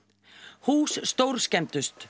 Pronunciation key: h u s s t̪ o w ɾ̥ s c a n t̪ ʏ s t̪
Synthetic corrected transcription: h uː s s t̪ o w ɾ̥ s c ɛ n t̪ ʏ s t̪